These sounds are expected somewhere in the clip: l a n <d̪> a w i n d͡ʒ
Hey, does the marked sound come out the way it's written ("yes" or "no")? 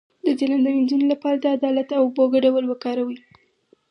yes